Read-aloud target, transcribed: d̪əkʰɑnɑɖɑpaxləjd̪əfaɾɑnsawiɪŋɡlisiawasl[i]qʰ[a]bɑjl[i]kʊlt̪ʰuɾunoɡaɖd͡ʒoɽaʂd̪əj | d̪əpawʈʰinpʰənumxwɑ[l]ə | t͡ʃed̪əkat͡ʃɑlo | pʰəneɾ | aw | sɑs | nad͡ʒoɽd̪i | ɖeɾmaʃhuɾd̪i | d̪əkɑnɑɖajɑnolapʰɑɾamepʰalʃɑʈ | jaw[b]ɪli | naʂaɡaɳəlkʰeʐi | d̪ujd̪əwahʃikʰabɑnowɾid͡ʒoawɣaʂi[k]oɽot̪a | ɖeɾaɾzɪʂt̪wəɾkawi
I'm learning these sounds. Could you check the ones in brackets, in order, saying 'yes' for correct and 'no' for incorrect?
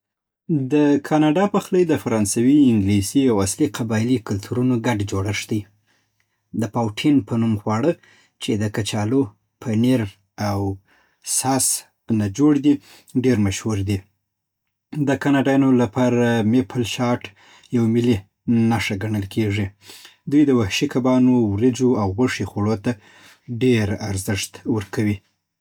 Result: yes, yes, yes, no, no, no

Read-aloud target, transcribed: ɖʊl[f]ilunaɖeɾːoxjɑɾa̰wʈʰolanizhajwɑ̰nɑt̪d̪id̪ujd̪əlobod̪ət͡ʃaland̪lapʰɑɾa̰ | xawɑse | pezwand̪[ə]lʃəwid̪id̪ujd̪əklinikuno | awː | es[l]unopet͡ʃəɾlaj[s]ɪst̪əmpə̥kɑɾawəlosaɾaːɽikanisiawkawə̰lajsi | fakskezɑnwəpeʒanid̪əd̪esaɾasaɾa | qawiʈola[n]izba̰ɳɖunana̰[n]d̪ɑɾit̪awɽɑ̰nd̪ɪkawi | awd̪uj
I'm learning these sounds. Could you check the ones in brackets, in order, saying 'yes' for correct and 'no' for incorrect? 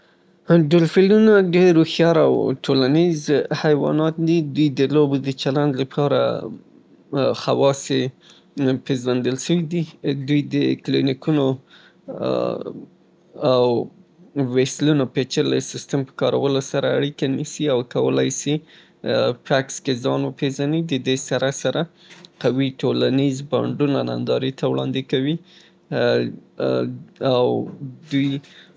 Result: yes, yes, yes, yes, yes, yes

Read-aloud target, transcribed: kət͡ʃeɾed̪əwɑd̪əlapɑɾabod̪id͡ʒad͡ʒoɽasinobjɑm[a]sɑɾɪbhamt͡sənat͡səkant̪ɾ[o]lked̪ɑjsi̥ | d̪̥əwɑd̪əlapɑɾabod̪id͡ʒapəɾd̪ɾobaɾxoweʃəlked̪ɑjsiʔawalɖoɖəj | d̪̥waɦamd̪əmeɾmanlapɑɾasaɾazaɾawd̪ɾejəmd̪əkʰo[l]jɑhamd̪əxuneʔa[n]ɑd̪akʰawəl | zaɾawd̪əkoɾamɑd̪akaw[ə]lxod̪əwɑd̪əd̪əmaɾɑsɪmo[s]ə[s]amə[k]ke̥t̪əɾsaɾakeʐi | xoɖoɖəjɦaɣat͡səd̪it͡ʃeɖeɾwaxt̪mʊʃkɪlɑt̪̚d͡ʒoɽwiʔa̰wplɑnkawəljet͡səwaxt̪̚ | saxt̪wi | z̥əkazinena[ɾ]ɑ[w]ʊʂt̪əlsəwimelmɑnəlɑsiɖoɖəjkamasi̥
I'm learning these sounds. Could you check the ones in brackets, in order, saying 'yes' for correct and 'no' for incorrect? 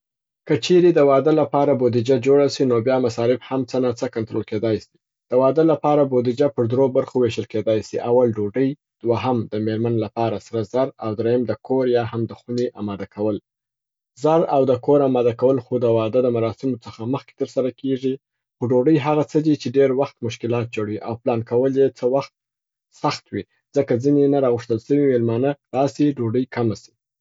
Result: yes, yes, no, no, yes, no, no, no, yes, no

